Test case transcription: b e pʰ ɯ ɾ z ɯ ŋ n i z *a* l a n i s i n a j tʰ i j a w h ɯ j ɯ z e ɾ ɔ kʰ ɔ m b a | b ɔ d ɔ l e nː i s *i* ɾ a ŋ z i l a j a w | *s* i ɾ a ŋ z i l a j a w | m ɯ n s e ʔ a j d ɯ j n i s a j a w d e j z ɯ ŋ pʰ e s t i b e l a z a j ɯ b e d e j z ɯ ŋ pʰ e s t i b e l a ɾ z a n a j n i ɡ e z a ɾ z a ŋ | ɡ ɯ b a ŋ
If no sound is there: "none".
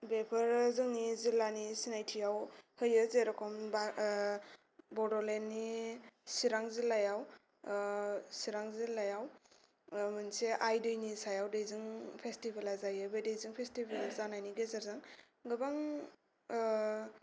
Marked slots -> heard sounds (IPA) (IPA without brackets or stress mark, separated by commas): i, i, s